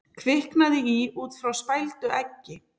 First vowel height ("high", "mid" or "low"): high